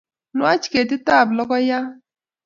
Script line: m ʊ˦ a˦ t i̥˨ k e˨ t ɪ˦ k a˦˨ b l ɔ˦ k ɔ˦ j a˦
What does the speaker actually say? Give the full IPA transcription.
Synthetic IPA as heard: n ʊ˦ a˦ t͡ʃ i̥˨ k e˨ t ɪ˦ t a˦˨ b l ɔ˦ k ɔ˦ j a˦